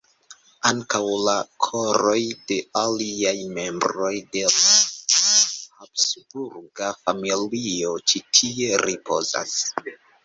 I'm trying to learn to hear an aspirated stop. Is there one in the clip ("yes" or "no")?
yes